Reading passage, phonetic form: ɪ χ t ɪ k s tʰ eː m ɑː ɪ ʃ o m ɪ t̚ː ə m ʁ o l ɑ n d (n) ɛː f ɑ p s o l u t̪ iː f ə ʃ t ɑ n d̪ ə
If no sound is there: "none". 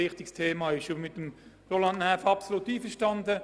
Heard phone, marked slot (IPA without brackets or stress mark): n